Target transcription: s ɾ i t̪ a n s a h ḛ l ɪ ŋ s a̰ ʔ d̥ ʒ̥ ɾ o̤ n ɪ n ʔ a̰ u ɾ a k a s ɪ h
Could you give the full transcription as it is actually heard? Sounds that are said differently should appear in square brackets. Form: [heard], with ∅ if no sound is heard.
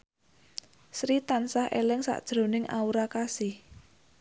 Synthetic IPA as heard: s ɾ i t̪ a n s a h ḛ l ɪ ŋ s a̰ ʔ d̥ ʒ̥ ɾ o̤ n ɪ [ŋ] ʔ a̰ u ɾ a k a s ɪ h